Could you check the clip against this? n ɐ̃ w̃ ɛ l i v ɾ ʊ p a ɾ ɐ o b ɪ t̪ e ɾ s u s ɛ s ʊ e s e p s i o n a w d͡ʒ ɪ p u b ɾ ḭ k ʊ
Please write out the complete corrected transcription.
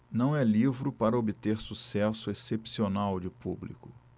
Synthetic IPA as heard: n ɐ̃ w̃ ɛ l i v ɾ ʊ p a ɾ ɐ o b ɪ t̪ e ɾ s u s ɛ s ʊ e s e p s i o n a w d͡ʒ ɪ p u b l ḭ k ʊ